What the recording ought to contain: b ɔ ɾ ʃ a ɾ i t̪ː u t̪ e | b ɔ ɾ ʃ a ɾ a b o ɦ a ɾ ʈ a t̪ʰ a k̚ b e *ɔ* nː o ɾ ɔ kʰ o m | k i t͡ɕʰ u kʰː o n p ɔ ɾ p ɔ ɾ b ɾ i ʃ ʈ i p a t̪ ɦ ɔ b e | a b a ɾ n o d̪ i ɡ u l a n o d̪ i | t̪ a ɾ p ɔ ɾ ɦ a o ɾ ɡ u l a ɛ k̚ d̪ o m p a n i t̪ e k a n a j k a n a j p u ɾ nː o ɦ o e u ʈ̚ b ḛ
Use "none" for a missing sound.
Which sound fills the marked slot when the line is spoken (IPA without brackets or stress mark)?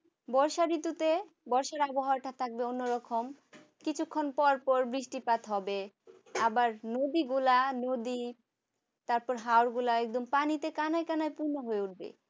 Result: o